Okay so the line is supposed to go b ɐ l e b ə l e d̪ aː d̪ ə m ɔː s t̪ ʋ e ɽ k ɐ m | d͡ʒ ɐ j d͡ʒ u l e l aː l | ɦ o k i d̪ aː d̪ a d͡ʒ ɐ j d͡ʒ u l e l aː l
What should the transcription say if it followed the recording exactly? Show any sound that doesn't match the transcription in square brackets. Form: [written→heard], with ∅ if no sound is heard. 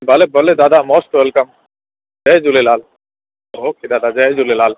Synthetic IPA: b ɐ l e b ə l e d̪ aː d̪ [ə→a] m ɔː s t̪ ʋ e [ɽ→l] k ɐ m | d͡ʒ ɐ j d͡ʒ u l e l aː l | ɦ o k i d̪ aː d̪ a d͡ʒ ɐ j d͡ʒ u l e l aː l